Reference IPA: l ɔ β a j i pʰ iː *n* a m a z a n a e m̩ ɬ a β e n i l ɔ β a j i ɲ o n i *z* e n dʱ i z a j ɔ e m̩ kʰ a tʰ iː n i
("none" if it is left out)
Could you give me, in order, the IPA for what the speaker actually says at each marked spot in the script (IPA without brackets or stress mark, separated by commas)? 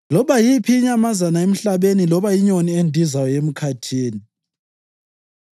ɲ, none